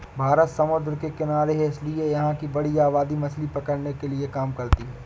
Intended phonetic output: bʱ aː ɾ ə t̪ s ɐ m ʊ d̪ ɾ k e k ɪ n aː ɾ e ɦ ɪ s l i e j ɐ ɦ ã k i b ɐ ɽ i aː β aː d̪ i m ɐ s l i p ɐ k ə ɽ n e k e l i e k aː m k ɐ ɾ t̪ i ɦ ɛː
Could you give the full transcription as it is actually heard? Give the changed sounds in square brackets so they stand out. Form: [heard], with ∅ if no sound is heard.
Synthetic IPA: bʱ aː ɾ ə t̪ s ɐ m ʊ d̪ ɾ k e k ɪ n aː ɾ e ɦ ɪ s l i e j ɐ ɦ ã k i b ɐ ɽ i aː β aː d̪ i m ɐ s l i p ɐ k ə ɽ n e k e l i e k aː m k ɐ ɾ t̪ i ɦ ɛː